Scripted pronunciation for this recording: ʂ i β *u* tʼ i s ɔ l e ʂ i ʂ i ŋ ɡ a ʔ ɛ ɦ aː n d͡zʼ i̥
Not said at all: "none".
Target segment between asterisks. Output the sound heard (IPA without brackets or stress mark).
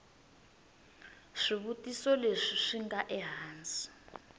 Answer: u